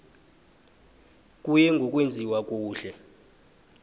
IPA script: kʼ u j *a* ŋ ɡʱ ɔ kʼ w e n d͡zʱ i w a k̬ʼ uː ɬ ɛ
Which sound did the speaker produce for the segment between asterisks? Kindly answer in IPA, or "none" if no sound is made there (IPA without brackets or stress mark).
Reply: ɛ